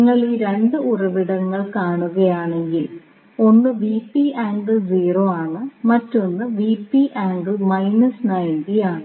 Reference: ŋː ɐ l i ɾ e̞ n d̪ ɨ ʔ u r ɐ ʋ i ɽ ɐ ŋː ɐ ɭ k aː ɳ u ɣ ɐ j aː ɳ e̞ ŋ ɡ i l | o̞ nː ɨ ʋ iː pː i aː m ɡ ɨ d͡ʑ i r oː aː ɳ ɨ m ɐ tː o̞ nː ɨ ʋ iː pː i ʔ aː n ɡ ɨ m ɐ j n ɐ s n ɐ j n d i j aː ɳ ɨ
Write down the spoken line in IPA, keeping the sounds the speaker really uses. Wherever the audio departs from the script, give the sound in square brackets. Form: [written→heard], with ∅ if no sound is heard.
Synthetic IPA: ŋː ɐ [l→ɭ] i ɾ e̞ n d̪ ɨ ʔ u r ɐ ʋ i ɽ ɐ ŋː ɐ ɭ k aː ɳ u ɣ ɐ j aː ɳ e̞ ŋ ɡ i l | o̞ nː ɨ ʋ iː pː i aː [m→ŋ] ɡ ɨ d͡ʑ [i→iː] r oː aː ɳ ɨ m ɐ tː o̞ nː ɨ ʋ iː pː i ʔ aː [n→ŋ] ɡ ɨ m ɐ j n ɐ s n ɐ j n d i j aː ɳ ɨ